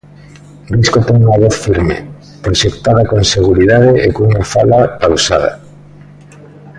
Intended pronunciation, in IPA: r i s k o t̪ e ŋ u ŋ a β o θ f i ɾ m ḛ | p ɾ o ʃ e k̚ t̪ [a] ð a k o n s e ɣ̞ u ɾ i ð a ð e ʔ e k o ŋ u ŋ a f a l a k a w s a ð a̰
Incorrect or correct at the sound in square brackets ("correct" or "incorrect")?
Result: correct